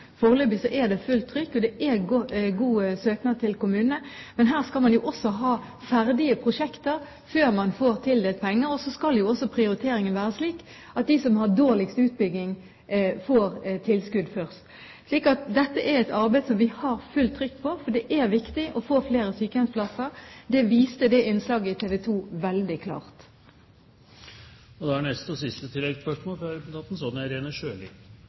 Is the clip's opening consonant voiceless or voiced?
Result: voiceless